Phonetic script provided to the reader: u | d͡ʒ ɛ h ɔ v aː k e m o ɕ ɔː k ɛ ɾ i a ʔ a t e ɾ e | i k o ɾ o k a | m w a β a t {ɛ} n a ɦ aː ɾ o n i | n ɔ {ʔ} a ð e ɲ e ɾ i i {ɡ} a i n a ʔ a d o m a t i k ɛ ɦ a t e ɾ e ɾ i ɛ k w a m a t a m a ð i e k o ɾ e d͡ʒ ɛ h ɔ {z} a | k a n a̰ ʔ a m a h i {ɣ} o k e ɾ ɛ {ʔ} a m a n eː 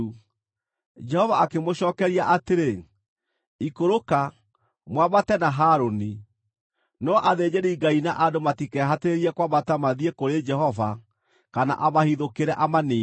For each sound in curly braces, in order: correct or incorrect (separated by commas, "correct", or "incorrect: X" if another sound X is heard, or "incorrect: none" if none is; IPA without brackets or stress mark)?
correct, correct, correct, incorrect: v, incorrect: ð, correct